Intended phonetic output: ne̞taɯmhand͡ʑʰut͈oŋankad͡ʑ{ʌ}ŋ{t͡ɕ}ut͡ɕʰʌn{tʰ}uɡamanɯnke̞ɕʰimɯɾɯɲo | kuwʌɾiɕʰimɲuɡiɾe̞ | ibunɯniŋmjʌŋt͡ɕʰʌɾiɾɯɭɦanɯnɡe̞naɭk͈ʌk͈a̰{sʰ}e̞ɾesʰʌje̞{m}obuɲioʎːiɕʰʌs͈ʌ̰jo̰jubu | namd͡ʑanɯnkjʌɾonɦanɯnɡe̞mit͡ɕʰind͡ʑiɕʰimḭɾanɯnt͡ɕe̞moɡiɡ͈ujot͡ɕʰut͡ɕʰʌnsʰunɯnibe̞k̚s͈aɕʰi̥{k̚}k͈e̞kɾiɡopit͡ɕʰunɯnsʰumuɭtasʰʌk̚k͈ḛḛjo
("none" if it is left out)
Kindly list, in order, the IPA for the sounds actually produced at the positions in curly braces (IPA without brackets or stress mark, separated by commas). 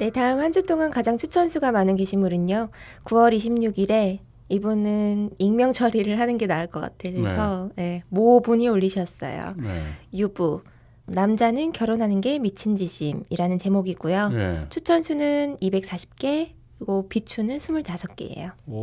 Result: a, t͡ɕʰ, sʰ, tʰ, m, p̚